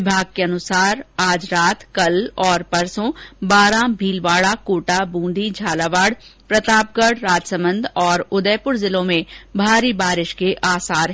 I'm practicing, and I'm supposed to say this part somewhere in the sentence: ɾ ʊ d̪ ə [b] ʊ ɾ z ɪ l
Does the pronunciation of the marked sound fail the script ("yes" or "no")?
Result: yes